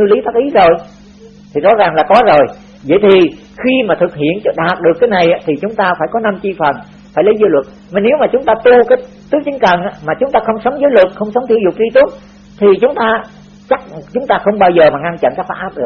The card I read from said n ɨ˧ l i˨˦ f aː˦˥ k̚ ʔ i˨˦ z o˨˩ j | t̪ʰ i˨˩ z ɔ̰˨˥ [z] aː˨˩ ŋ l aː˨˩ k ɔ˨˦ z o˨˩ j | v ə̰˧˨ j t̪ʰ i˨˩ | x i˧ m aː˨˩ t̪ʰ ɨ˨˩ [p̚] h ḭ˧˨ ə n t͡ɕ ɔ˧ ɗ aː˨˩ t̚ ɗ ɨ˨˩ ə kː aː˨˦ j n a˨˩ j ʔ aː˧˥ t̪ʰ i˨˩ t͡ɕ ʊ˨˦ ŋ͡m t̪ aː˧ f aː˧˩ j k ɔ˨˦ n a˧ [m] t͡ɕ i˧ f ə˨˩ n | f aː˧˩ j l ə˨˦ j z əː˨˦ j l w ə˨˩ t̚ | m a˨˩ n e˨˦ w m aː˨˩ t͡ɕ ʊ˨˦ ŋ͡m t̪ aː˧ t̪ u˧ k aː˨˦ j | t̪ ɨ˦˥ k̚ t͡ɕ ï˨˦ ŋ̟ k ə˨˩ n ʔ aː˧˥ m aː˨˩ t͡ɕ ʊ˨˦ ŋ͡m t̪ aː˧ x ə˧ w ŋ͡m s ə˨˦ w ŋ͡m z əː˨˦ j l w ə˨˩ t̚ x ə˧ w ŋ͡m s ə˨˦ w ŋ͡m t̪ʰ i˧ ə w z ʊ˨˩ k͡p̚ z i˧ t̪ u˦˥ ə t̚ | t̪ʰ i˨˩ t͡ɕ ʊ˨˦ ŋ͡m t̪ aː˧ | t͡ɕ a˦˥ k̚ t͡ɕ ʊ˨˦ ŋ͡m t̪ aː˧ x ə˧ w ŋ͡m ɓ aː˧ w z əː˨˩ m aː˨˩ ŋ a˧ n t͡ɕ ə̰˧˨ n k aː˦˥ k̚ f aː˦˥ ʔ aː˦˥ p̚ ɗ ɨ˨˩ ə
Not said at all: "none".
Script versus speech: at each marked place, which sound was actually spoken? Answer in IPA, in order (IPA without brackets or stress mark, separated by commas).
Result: z, k̚, m